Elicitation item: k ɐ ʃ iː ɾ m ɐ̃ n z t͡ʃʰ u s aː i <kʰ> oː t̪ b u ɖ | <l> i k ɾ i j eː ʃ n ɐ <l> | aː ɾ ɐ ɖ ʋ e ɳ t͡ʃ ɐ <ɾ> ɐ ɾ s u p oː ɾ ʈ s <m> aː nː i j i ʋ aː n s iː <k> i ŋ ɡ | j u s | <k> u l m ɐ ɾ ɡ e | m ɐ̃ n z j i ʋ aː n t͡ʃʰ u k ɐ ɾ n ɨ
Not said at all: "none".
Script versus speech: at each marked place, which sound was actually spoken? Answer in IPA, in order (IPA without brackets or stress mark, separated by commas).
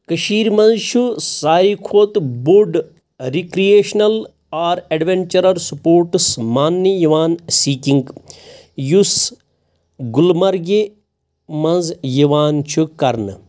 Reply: kʰ, ɾ, l, ɾ, m, k, ɡ